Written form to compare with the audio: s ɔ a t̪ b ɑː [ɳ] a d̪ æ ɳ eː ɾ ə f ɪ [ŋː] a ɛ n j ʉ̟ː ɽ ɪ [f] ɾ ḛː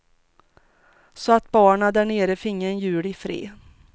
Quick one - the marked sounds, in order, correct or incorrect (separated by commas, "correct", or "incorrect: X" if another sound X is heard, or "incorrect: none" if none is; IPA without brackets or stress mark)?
correct, correct, correct